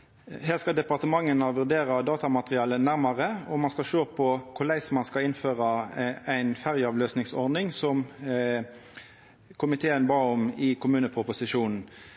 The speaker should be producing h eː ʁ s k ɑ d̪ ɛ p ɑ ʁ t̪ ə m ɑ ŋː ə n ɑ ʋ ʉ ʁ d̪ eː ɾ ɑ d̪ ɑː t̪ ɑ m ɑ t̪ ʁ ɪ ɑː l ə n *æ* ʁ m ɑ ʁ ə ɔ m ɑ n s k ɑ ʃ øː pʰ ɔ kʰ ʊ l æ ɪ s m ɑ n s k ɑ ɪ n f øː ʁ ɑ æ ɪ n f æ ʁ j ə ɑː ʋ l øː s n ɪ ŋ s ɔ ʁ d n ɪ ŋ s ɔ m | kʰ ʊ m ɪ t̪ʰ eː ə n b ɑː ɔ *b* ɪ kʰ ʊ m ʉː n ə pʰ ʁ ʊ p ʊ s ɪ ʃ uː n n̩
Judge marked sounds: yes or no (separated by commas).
yes, no